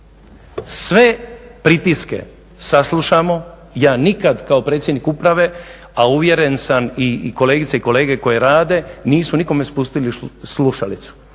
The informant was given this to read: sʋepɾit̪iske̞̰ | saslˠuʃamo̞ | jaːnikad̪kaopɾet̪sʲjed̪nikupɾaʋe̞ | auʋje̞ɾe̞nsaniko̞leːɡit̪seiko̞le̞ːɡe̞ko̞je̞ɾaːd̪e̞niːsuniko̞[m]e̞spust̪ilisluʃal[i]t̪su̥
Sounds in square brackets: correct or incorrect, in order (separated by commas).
correct, correct